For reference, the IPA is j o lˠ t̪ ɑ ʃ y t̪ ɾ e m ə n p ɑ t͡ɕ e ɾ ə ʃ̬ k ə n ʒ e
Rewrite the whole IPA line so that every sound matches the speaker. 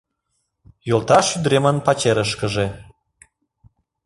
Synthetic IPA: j o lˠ t̪ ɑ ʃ y d̪ ɾ e m ə n p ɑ t͡ɕ e ɾ ə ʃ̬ k ə ʒ e